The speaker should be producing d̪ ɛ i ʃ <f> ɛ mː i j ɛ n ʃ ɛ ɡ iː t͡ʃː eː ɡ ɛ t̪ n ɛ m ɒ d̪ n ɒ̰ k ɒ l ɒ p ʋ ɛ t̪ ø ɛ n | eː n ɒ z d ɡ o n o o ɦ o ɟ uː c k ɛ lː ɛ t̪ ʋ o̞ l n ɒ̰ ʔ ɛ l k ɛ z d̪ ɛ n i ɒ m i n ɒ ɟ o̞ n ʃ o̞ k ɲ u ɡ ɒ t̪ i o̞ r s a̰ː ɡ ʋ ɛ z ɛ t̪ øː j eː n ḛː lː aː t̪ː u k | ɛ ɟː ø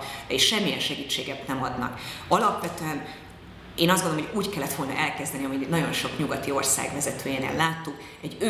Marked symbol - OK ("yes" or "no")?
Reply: no